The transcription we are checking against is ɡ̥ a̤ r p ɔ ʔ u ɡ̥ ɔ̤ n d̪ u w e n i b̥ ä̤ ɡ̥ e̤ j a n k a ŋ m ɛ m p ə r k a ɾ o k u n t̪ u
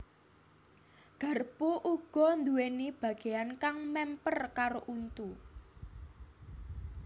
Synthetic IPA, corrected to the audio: ɡ̥ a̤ r p u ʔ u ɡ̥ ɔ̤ n d̪ u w e n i b̥ ä̤ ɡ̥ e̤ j a n k a ŋ m ɛ m p ə r k a ɾ o ʔ u n t̪ u